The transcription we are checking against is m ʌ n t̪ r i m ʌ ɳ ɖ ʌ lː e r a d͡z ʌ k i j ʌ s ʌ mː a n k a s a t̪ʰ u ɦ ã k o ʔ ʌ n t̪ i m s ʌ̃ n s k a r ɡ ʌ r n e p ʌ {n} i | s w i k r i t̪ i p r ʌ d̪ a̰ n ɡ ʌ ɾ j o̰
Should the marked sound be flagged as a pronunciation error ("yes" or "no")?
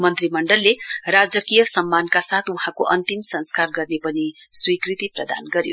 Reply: no